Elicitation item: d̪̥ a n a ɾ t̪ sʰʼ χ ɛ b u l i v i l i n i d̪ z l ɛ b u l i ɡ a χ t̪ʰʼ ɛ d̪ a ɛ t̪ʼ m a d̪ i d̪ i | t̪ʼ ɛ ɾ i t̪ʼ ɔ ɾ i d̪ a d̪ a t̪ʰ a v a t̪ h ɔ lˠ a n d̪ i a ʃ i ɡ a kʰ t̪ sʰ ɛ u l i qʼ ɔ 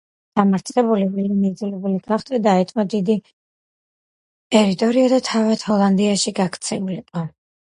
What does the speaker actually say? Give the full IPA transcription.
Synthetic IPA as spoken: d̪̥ a m a ɾ t̪ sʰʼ χ ɛ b u l i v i l i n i d̪ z l ɛ b u l i ɡ a χ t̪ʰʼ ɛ d̪ a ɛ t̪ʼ m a d̪ i d̪ i | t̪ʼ ɛ ɾ i t̪ʼ ɔ ɾ i a d̪ a t̪ʰ a v a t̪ h ɔ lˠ a n d̪ i a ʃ i ɡ a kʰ t̪ sʰ ɛ u l i qʼ ɔ